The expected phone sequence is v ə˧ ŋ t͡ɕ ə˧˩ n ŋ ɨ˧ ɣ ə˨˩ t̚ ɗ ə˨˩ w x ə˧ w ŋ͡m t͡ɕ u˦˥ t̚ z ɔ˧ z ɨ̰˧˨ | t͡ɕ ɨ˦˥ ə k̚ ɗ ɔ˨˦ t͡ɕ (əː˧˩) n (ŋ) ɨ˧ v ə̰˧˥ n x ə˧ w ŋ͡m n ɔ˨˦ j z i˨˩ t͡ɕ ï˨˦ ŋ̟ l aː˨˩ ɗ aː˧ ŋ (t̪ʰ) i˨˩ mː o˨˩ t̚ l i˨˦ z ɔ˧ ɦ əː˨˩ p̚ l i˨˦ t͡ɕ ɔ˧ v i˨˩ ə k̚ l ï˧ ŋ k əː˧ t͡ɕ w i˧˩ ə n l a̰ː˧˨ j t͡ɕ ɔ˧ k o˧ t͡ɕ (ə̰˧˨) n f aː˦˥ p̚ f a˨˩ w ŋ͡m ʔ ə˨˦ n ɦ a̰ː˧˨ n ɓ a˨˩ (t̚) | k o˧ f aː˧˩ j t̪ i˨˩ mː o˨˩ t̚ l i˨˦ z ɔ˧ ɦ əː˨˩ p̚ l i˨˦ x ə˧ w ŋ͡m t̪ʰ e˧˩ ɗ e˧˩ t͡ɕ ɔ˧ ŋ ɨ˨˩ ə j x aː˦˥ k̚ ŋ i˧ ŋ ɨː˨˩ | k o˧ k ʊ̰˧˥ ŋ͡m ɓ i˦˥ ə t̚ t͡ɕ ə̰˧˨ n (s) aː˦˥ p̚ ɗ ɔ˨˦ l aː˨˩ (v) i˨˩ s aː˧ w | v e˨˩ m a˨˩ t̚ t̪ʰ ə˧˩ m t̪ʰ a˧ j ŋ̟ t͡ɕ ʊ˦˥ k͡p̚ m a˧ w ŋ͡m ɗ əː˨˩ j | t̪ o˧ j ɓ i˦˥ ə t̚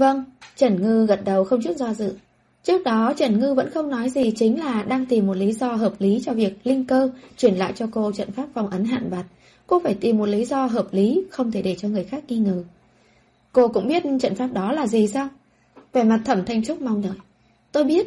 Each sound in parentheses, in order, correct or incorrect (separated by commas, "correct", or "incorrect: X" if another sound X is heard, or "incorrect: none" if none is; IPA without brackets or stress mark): incorrect: ə˧˩, correct, incorrect: t̪, correct, correct, incorrect: f, incorrect: z